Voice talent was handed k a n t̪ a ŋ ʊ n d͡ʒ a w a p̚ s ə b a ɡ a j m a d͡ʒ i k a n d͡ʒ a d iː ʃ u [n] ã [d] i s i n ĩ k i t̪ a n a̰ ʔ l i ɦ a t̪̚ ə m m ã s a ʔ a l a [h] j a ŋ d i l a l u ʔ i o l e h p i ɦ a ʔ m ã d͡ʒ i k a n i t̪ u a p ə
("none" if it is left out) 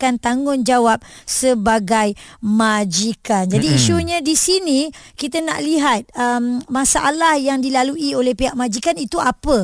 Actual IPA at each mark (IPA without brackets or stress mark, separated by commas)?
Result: ɲ, d, h